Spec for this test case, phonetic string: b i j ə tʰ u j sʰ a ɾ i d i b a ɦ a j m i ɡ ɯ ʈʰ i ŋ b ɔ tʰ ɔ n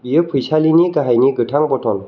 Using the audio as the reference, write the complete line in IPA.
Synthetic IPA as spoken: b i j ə pʰ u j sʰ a l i n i ɡ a ɦ a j n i ɡ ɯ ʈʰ a ŋ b ɔ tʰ ɔ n